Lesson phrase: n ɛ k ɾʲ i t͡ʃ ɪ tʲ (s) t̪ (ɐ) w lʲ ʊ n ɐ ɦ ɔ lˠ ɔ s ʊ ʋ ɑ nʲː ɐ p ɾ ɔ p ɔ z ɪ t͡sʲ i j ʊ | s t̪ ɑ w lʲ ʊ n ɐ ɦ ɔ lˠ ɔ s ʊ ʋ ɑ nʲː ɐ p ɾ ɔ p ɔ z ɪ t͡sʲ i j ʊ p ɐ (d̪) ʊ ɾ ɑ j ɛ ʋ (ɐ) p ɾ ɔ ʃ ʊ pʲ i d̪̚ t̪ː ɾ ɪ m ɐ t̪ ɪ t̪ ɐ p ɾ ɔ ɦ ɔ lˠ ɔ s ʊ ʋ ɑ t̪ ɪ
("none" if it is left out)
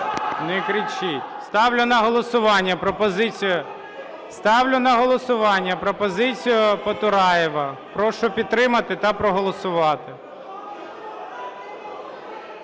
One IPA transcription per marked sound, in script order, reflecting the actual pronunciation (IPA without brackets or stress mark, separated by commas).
s, ɑ, t̪, ɐ